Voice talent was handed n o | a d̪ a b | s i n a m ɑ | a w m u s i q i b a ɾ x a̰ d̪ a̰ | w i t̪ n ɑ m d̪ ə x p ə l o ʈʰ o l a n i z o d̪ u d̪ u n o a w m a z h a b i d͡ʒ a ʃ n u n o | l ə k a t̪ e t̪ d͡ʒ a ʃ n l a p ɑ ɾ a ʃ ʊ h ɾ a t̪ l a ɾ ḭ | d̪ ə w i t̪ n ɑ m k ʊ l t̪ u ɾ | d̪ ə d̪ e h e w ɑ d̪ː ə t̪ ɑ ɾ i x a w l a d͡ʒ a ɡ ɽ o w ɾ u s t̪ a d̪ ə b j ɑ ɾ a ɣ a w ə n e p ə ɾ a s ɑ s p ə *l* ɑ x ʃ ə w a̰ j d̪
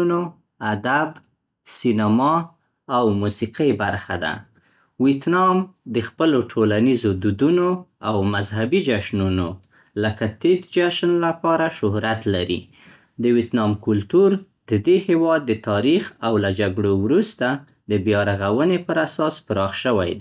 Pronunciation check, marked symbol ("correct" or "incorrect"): incorrect